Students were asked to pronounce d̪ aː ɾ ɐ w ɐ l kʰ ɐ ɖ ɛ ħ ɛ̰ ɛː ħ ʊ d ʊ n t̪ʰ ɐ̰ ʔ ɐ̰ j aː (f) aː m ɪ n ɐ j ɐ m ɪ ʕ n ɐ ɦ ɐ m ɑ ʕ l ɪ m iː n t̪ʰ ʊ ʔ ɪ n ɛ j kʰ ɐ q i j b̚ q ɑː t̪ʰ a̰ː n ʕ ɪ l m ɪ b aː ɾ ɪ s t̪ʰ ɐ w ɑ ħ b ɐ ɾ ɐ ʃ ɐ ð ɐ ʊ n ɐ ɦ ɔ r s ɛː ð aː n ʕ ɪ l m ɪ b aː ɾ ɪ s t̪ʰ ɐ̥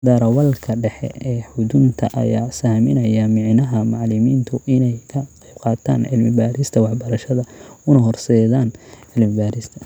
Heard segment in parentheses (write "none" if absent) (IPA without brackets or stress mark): s